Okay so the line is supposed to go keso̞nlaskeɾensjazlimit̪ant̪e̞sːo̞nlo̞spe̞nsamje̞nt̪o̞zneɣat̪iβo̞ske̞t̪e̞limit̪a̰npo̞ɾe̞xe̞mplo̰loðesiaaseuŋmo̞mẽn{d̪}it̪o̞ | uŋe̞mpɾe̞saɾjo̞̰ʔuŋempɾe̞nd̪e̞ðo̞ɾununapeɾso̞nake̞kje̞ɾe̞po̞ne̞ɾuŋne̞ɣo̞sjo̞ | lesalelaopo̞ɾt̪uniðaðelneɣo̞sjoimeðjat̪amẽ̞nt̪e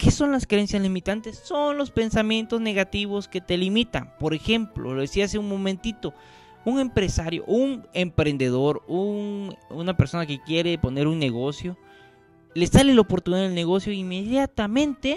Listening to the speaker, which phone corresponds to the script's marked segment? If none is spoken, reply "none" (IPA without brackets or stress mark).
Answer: t̪